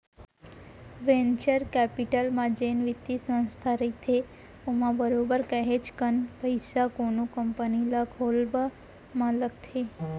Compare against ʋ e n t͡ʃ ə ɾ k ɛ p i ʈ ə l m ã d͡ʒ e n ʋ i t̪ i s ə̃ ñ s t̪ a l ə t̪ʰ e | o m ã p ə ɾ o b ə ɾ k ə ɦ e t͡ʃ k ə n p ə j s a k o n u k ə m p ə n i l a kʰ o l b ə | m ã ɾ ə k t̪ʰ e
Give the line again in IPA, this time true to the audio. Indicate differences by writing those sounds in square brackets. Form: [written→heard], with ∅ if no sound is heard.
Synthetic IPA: ʋ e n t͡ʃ ə ɾ k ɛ p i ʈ ə l m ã d͡ʒ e n ʋ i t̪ i s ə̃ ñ s [t̪→t̪ʰ] a [l→ɾ] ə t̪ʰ e | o m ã [p→b] ə ɾ o b ə ɾ k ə ɦ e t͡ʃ k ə n p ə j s a k o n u k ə m p ə n i l a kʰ o l b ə | m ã [ɾ→l] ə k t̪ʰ e